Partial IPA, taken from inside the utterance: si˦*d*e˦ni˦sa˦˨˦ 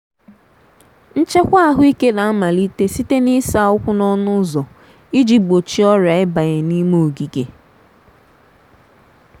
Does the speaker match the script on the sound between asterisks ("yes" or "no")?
no